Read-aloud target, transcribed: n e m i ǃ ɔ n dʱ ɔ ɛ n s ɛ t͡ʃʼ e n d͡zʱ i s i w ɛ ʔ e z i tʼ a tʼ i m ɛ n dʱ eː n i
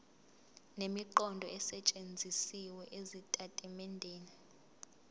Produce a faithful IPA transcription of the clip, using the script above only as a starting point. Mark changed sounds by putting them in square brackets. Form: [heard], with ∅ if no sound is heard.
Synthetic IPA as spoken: n e m i ǃ ɔ n dʱ ɔ ɛ [∅] s ɛ t͡ʃʼ e n d͡zʱ i s i w ɛ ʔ e z i tʼ a tʼ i m ɛ n dʱ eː n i